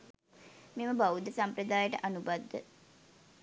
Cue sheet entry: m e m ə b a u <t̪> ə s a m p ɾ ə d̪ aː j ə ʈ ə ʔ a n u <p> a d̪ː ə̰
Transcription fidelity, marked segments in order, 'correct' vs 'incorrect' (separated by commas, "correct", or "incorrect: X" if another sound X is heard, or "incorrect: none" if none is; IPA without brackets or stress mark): incorrect: d̪, incorrect: b